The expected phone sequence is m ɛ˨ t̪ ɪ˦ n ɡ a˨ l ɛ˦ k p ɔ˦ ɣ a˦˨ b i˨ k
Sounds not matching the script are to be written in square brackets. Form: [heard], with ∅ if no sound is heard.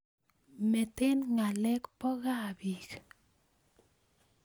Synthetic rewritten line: m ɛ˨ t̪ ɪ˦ n [ŋ] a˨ l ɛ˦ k p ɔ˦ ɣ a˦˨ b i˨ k